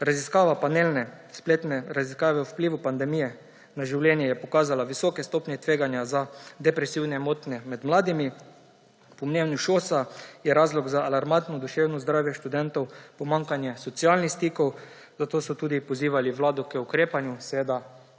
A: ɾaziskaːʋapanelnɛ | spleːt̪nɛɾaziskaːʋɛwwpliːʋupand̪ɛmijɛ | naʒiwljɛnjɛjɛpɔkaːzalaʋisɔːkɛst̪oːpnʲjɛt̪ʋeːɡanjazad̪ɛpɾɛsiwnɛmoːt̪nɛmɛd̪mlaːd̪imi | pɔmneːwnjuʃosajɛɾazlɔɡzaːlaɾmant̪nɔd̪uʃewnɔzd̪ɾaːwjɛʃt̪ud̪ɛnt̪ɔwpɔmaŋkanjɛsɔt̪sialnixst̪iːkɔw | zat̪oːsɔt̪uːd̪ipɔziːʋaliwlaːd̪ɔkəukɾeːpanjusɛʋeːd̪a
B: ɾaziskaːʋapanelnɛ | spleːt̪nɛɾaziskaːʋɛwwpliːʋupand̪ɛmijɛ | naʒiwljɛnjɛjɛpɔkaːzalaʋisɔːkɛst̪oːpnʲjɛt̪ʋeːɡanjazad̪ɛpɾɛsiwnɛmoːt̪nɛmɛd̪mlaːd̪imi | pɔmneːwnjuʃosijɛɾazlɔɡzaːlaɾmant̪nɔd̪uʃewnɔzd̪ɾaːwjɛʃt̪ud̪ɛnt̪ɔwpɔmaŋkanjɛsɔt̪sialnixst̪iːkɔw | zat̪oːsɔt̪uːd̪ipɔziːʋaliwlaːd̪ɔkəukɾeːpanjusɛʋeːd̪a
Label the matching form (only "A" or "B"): A